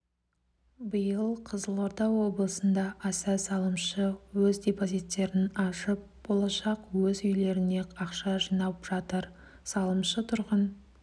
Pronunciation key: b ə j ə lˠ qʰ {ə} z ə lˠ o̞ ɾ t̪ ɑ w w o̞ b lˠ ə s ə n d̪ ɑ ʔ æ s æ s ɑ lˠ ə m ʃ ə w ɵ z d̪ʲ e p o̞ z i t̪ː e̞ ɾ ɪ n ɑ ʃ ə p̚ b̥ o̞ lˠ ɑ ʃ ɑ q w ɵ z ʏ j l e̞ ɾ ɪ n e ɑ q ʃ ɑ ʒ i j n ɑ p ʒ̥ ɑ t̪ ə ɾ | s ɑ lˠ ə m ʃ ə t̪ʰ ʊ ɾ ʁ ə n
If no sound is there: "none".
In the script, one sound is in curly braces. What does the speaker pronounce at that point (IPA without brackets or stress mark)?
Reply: ə